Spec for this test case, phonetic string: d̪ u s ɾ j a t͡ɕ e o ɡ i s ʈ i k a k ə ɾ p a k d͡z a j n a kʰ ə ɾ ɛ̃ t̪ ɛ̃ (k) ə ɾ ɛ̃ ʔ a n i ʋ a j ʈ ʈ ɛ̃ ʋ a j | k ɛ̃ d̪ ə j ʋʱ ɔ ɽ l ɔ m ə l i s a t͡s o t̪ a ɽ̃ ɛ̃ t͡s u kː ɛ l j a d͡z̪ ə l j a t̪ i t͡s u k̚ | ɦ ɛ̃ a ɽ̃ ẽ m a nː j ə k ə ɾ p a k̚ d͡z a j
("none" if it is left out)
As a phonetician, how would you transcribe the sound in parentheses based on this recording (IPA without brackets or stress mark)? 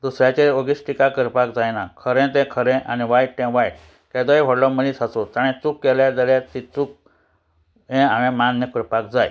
kʰ